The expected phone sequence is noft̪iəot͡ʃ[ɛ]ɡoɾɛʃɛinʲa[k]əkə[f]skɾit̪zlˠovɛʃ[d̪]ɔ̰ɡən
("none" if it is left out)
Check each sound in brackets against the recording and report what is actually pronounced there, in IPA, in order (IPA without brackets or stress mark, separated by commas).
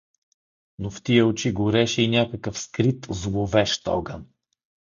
i, k, f, t̪